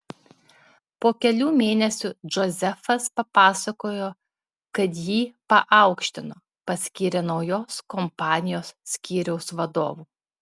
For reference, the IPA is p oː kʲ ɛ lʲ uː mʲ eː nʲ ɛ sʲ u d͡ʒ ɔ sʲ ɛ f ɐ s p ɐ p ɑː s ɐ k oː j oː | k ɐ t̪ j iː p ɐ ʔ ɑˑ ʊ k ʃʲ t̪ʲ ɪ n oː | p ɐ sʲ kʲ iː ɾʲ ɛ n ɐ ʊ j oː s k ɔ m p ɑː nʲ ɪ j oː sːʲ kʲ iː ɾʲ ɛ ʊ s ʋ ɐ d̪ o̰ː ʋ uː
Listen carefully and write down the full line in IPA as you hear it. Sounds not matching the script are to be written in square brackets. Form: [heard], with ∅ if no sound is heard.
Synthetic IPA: p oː kʲ ɛ lʲ uː mʲ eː nʲ ɛ sʲ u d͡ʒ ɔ [zʲ] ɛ f ɐ s p ɐ p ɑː s ɐ k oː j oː | k ɐ t̪ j iː p ɐ ʔ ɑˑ ʊ k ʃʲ t̪ʲ ɪ n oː | p ɐ sʲ kʲ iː ɾʲ ɛ n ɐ ʊ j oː s k ɔ m p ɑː nʲ ɪ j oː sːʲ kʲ iː ɾʲ ɛ ʊ s ʋ ɐ d̪ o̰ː ʋ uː

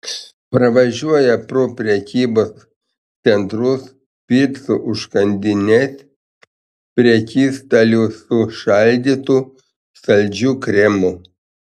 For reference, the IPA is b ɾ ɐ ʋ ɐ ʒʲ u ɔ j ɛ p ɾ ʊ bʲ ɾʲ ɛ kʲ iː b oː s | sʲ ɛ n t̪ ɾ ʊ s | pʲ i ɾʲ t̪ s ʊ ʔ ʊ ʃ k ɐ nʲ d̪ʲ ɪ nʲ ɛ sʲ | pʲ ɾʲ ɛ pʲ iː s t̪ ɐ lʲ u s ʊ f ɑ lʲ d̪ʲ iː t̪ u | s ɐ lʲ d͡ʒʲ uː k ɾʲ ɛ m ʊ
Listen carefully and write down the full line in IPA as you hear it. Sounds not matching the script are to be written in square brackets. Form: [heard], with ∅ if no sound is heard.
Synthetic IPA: [p] ɾ ɐ ʋ ɐ ʒʲ u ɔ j ɛ p ɾ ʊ [pʲ] ɾʲ ɛ kʲ iː b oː s | sʲ ɛ n t̪ ɾ ʊ s | pʲ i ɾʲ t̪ s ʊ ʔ ʊ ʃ k ɐ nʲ d̪ʲ ɪ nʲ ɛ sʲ | pʲ ɾʲ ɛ [kʲ] iː s t̪ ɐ lʲ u s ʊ [ʃ] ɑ lʲ d̪ʲ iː t̪ u | s ɐ lʲ d͡ʒʲ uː k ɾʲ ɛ m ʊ

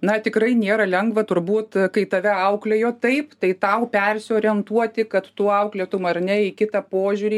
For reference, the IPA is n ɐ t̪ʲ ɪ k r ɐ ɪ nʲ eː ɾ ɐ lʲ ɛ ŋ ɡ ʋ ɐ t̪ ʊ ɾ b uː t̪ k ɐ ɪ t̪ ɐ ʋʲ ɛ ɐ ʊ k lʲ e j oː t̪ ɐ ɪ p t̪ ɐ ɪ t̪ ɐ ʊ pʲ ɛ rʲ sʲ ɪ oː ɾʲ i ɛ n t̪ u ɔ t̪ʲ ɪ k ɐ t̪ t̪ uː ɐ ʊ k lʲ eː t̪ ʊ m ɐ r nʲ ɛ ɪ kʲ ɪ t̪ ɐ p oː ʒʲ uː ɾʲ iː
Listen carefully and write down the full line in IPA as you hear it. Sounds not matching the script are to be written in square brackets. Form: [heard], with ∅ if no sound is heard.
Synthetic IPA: n ɐ t̪ʲ ɪ k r ɐ ɪ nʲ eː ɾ ɐ lʲ ɛ ŋ ɡ ʋ ɐ t̪ ʊ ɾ b uː t̪ k ɐ ɪ t̪ ɐ ʋʲ ɛ ɐ ʊ k lʲ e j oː t̪ ɐ ɪ p t̪ ɐ ɪ t̪ ɐ ʊ pʲ ɛ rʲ sʲ ɪ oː ɾʲ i ɛ n t̪ u ɔ t̪ʲ ɪ k ɐ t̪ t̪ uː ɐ ʊ k lʲ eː t̪ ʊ m ɐ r nʲ ɛ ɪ kʲ ɪ t̪ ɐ p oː ʒʲ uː ɾʲ iː

